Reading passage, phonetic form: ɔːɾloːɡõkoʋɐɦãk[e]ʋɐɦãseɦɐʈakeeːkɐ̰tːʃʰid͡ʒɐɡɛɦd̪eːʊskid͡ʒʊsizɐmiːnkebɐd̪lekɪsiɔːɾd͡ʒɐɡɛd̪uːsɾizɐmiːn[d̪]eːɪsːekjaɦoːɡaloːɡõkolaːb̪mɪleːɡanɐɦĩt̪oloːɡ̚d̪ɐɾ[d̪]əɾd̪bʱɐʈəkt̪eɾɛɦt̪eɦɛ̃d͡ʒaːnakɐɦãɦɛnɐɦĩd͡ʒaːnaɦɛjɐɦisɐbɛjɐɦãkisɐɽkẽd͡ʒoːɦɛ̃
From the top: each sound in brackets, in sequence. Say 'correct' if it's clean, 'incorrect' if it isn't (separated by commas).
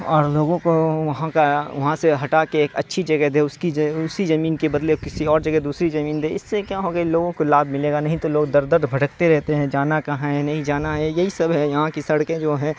incorrect, correct, correct